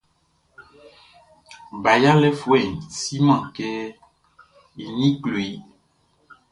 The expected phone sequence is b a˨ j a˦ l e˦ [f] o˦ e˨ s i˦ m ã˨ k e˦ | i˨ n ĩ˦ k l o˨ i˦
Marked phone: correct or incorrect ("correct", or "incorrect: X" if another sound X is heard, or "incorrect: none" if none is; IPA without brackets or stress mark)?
correct